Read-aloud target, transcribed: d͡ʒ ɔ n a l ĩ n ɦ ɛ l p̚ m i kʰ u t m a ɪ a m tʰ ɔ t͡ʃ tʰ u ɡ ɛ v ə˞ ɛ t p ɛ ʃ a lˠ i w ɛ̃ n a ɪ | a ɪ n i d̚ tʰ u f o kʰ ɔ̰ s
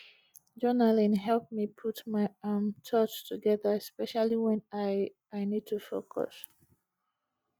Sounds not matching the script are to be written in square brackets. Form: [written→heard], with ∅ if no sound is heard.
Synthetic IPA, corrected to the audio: d͡ʒ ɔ n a l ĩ n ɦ ɛ l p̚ m i [kʰ→pʰ] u t m a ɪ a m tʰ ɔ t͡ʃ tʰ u ɡ ɛ [v→ð] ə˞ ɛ [t→s] p ɛ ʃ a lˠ i w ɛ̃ n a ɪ | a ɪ n i d̚ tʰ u f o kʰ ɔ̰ s